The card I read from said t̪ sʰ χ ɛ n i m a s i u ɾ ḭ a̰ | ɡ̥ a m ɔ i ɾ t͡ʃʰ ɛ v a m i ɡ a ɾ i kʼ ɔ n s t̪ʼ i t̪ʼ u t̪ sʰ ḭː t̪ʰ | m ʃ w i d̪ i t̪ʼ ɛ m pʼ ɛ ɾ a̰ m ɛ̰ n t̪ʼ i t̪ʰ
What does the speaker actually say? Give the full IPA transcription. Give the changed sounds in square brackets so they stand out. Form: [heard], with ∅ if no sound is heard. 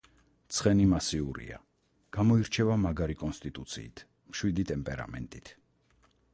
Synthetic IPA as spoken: t̪ sʰ χ ɛ n i m a s i u ɾ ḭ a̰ | ɡ̥ a m ɔ i ɾ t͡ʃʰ ɛ v a m [a] ɡ a ɾ i kʼ ɔ n s t̪ʼ i t̪ʼ u t̪ sʰ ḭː t̪ʰ | m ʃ w i d̪ i t̪ʼ ɛ m pʼ ɛ ɾ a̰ m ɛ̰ n t̪ʼ i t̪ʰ